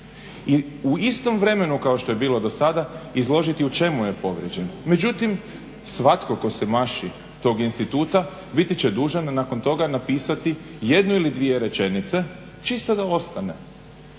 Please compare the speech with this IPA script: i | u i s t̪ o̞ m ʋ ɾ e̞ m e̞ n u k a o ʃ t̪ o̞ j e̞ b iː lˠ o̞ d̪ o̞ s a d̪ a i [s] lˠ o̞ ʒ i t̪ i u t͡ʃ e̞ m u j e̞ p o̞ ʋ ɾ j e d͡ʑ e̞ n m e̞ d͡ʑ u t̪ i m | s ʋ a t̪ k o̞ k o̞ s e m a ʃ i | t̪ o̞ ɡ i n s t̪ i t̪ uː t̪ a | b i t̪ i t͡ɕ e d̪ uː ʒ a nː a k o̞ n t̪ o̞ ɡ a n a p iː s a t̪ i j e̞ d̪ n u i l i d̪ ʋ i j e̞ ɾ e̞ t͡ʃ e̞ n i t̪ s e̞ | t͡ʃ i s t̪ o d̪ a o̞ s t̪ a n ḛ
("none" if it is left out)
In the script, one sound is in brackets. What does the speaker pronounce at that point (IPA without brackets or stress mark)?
z